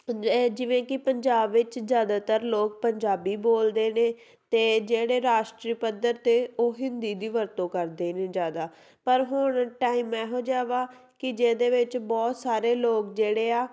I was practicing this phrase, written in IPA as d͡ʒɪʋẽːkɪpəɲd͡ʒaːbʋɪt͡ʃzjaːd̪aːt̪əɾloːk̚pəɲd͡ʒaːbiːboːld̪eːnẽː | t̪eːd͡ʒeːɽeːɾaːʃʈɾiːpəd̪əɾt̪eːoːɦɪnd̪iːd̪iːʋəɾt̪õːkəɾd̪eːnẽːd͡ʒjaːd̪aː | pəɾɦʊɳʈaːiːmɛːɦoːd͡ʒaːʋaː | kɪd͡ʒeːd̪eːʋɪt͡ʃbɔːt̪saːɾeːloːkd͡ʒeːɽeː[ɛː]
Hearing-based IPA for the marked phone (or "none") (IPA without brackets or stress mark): aː